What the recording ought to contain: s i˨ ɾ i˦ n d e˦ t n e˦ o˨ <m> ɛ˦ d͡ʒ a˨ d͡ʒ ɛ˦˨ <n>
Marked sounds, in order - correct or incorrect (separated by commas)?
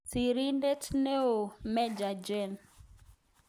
correct, correct